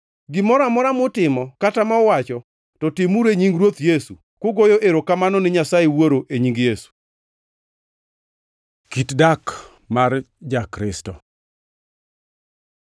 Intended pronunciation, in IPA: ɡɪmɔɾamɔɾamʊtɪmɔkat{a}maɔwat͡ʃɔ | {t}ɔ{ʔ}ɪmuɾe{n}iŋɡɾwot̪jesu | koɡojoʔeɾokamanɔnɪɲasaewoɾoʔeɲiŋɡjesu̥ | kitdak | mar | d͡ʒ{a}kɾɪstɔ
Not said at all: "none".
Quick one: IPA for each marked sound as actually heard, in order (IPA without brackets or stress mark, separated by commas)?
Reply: a, t, t, ɲ, a